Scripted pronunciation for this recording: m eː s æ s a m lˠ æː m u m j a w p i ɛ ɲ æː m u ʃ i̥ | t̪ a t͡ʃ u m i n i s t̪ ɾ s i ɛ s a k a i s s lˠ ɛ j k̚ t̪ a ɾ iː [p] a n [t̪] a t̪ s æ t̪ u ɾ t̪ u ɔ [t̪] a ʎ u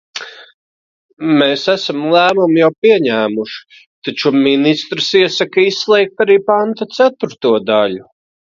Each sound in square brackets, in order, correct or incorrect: correct, correct, incorrect: d̪

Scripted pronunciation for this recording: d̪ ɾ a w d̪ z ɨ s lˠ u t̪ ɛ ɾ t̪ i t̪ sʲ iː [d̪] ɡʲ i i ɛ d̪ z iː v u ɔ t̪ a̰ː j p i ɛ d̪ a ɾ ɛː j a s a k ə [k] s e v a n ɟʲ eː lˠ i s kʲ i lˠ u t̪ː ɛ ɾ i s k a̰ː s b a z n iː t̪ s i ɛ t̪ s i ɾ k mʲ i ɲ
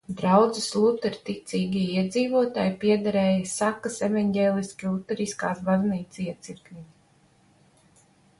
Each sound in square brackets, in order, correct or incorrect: incorrect: none, incorrect: none

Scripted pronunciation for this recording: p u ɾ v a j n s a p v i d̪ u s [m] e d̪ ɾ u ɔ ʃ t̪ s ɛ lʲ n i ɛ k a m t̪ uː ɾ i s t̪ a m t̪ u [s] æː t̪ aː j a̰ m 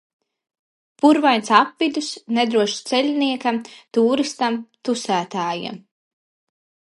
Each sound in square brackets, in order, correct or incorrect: incorrect: n, correct

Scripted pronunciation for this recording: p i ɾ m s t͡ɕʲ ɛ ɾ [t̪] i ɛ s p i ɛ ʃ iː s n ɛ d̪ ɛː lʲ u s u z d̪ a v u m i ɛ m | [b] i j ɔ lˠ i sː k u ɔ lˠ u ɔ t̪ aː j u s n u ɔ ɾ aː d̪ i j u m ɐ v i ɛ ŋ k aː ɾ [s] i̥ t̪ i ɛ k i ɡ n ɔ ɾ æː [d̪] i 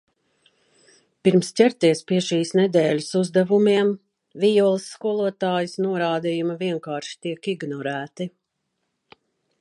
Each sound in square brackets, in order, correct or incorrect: correct, incorrect: v, incorrect: ʃ, incorrect: t̪

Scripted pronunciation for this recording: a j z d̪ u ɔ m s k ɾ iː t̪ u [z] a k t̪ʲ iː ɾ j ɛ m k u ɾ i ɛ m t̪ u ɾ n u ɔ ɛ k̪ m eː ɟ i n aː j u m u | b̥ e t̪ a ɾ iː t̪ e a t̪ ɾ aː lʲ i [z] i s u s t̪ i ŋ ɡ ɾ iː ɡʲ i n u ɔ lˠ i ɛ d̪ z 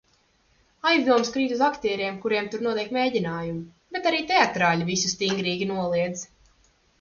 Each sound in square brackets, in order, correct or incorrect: correct, incorrect: v

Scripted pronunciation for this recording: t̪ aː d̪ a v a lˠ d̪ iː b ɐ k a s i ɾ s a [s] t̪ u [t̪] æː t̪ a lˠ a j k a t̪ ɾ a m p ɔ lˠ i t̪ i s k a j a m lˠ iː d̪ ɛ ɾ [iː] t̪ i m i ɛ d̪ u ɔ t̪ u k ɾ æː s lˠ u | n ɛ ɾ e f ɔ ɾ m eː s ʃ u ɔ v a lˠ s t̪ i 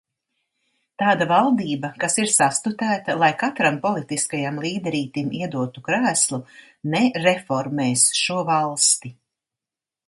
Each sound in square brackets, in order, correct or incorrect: correct, correct, correct

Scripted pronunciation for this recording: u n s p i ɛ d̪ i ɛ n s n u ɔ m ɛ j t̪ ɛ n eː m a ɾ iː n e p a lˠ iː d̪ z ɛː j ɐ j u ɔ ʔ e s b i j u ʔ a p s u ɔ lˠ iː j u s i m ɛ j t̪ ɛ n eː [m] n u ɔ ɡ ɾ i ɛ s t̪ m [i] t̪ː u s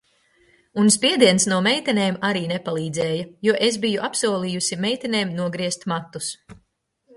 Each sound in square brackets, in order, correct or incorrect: correct, incorrect: a

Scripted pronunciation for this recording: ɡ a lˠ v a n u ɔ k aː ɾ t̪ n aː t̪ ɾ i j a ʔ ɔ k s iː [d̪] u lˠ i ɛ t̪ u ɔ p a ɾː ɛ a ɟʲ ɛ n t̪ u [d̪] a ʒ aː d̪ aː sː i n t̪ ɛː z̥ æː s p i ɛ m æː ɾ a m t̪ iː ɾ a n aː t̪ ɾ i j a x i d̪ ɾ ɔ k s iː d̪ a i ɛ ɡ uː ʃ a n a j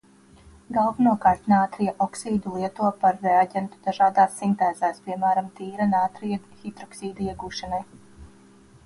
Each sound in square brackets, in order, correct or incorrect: correct, correct

